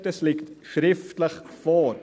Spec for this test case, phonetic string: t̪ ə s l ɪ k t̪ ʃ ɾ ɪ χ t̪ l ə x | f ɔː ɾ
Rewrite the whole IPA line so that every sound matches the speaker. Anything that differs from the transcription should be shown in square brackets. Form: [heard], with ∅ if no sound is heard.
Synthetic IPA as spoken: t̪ ə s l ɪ k t̪ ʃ ɾ ɪ [f] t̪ l ə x | f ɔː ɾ